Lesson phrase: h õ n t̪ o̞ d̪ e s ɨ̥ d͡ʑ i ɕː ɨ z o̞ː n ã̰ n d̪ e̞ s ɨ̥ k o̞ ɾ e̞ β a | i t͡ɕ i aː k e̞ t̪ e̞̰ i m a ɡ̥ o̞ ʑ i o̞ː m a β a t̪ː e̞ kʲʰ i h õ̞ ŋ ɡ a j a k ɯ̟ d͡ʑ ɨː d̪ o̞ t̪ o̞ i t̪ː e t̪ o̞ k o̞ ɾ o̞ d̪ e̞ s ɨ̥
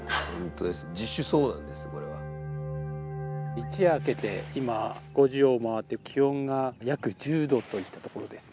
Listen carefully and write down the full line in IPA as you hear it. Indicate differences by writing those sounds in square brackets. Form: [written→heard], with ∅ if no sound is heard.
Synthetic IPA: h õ n t̪ o̞ d̪ e s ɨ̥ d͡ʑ i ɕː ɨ [z→s] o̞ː n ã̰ n d̪ e̞ s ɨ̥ k o̞ ɾ e̞ β a | i t͡ɕ i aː k e̞ t̪ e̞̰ i m a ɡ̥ o̞ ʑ i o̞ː m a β a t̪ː e̞ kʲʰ i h õ̞ ŋ ɡ a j a k ɯ̟ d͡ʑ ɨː d̪ o̞ t̪ o̞ i t̪ː [e→a] t̪ o̞ k o̞ ɾ o̞ d̪ e̞ s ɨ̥